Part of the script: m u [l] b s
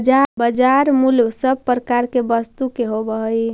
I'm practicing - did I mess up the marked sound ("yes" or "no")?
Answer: no